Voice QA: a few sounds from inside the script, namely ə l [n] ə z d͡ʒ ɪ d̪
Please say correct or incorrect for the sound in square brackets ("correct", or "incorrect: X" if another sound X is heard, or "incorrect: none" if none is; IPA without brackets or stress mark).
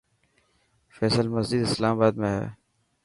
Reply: incorrect: m